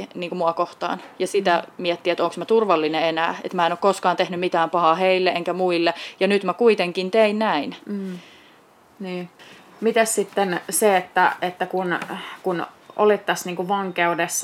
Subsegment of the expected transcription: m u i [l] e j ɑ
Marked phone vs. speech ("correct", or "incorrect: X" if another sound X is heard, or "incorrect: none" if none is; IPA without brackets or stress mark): incorrect: lː